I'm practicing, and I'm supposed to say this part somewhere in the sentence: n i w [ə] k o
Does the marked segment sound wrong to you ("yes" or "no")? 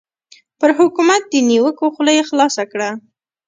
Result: no